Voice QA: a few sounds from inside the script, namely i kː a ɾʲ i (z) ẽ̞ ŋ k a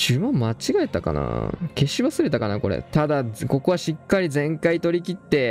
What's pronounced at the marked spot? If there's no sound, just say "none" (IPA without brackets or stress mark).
z